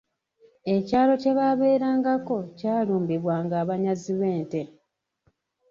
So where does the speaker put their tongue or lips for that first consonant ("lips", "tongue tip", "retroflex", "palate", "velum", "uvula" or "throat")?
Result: palate